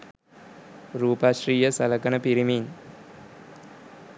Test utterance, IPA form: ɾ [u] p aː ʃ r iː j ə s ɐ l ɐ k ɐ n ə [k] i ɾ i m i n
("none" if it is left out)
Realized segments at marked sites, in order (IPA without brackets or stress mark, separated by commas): uː, p